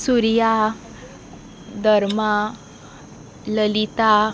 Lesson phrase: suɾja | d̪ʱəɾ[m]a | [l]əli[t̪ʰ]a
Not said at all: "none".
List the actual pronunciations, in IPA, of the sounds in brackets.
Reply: m, l, t̪

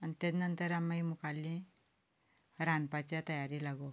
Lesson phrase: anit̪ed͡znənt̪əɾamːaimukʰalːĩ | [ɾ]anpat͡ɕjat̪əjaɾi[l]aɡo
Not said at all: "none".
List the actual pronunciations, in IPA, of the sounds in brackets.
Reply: ɾ, l

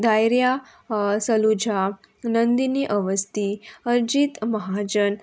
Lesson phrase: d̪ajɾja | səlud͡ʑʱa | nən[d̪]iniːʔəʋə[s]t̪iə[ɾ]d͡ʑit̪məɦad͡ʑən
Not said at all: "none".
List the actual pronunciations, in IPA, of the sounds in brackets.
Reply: d̪, s, ɾ

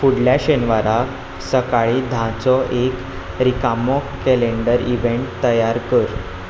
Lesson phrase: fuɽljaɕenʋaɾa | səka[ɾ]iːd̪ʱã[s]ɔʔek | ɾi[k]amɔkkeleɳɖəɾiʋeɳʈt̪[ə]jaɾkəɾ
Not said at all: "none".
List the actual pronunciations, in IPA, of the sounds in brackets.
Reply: ɭ, t͡s, k, ə

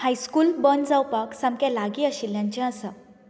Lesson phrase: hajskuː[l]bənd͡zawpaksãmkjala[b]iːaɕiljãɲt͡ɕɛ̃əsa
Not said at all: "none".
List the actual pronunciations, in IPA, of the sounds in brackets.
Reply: l, ɡ

